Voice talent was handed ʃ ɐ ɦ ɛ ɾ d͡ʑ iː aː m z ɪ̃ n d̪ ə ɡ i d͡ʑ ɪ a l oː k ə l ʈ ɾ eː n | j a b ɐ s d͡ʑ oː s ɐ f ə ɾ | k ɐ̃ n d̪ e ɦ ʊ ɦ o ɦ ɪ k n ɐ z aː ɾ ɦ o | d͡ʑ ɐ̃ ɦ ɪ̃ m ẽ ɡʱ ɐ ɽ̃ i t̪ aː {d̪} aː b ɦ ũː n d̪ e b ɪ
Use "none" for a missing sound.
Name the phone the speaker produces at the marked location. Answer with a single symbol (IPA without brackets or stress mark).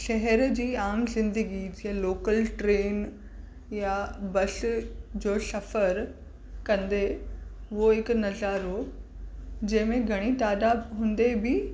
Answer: d̪